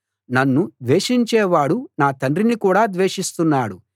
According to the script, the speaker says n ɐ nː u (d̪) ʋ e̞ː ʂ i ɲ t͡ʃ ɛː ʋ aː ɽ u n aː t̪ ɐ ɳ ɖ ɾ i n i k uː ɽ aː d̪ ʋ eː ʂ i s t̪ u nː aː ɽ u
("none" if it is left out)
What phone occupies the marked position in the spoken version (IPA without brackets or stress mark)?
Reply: d̪